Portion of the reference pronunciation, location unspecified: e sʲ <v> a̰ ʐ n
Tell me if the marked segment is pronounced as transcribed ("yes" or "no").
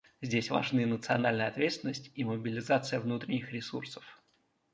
yes